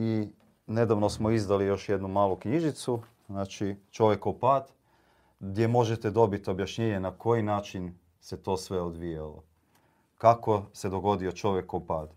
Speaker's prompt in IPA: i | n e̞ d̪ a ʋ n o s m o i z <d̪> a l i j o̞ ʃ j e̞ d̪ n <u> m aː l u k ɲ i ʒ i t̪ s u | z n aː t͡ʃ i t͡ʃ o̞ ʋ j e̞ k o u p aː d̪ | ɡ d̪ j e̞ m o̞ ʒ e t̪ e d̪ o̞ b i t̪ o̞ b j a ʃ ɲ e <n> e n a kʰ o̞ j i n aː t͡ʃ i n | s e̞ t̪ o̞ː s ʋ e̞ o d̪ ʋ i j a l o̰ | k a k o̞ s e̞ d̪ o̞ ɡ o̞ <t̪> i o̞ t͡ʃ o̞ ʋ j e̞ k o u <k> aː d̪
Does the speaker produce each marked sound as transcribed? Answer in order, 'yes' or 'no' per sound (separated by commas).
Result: yes, yes, no, no, no